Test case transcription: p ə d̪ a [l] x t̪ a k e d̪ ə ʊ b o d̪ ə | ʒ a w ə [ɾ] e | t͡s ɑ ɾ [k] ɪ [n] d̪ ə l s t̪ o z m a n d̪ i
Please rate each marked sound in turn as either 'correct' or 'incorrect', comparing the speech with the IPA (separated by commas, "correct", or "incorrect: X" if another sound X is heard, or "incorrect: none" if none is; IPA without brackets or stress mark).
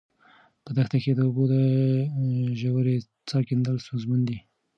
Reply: incorrect: none, correct, correct, correct